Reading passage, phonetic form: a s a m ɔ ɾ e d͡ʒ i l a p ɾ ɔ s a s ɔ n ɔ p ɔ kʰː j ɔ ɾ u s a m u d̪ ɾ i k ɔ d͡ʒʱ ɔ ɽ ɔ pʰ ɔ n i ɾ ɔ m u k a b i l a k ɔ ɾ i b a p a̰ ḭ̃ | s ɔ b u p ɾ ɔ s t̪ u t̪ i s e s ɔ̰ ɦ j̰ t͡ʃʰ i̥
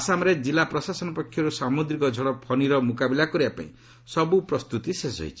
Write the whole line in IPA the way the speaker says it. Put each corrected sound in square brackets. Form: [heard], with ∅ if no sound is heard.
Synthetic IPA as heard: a s a m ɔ ɾ e d͡ʒ i l a p ɾ ɔ s a s ɔ n ɔ p ɔ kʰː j ɔ ɾ u s a m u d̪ ɾ i k ɔ d͡ʒʱ ɔ ɽ ɔ pʰ ɔ n i ɾ ɔ m u k a b i l a k ɔ ɾ i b a p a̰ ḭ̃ | s ɔ b u p ɾ ɔ s t̪ u t̪ i s e s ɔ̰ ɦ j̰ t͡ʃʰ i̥